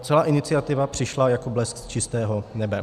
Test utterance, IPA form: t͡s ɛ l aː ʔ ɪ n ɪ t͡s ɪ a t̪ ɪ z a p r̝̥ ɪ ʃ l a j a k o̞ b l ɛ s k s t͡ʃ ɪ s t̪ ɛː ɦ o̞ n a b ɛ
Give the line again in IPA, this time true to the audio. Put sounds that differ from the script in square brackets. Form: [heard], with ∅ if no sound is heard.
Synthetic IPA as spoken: t͡s ɛ l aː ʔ ɪ n ɪ t͡s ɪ a t̪ ɪ [v] a p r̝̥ ɪ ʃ l a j a k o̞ b l ɛ s k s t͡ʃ ɪ s t̪ ɛː ɦ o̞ n [ɛ] b ɛ